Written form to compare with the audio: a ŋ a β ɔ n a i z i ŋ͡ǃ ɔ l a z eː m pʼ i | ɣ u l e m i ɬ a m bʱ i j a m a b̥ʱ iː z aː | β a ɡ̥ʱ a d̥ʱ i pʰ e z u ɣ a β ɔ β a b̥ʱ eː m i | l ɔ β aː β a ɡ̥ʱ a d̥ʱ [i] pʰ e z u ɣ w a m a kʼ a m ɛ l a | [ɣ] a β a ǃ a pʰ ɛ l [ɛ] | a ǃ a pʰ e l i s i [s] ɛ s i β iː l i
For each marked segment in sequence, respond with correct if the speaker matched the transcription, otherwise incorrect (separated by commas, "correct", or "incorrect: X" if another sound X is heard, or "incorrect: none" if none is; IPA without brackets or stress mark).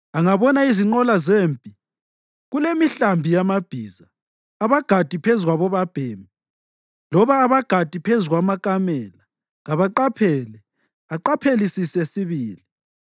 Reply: correct, correct, correct, correct